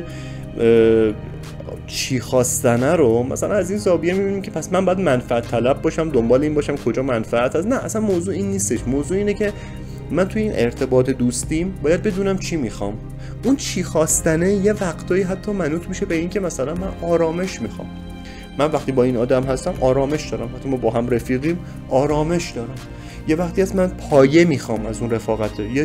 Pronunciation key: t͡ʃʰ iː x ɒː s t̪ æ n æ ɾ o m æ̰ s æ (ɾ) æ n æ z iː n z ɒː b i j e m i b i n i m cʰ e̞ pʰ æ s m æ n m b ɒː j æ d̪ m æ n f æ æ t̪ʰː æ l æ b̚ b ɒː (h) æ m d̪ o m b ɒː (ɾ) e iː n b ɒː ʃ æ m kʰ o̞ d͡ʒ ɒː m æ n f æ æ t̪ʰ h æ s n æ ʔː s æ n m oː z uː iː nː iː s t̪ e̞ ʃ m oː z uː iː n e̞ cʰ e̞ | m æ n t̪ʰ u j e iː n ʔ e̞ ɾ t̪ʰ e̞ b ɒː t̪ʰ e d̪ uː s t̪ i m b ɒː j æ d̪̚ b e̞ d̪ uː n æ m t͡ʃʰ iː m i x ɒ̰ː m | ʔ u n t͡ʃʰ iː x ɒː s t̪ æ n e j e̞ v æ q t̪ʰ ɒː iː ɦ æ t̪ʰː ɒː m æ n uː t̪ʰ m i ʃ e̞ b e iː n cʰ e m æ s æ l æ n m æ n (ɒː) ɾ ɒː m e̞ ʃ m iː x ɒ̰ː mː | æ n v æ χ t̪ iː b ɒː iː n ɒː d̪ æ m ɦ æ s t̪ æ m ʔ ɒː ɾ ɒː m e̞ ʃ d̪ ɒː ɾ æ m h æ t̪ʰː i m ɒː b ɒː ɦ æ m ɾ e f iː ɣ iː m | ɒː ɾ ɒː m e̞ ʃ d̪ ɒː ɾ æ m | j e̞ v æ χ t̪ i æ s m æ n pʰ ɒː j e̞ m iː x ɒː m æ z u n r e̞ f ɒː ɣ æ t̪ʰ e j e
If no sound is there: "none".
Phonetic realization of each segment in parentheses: l, ʃ, l, ɒː

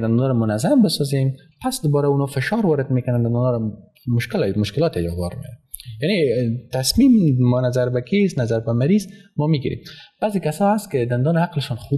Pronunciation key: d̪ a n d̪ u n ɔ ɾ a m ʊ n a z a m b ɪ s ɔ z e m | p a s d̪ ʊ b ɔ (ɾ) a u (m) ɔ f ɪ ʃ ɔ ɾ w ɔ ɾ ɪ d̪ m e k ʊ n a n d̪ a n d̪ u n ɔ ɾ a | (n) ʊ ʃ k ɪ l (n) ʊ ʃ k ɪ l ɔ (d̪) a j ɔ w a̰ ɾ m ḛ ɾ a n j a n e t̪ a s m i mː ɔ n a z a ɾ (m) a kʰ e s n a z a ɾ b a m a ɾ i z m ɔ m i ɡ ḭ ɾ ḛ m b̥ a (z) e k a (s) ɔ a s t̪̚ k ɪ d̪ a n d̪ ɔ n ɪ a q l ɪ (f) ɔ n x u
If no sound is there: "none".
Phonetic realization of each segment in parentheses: ɾ, n, m, m, t̪, b, z, s, ʃ

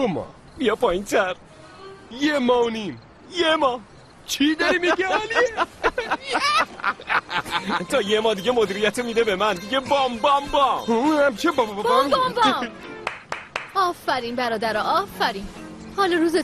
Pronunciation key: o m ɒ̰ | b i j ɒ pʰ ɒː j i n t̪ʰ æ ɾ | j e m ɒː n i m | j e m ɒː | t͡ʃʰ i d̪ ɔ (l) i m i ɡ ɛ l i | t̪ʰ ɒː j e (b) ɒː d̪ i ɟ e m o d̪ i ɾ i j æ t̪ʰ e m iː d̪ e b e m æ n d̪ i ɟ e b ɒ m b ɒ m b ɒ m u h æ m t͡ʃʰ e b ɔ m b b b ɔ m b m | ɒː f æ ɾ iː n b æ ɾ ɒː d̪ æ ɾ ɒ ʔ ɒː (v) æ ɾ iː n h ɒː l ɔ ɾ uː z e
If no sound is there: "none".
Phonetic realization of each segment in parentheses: ɾ, m, f

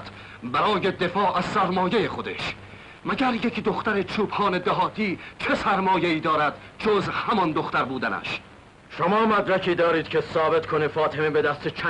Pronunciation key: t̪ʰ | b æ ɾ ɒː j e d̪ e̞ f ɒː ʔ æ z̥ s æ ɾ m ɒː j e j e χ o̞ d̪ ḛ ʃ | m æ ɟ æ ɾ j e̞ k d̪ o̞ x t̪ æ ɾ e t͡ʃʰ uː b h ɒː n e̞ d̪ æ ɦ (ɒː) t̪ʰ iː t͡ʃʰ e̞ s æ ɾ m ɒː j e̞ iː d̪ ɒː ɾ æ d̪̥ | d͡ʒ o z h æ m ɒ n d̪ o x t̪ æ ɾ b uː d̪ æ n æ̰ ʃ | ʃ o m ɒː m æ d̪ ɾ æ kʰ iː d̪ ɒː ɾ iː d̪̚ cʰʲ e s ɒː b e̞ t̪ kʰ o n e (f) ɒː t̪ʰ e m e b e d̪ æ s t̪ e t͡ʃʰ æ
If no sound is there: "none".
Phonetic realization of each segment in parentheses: ɒː, f

